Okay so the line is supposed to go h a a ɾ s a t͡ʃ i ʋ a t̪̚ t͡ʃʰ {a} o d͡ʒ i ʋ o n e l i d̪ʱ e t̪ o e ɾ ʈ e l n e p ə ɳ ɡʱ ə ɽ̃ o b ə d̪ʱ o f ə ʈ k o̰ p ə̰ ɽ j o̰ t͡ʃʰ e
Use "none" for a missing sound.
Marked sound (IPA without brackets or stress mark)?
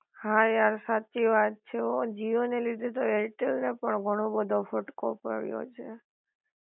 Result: e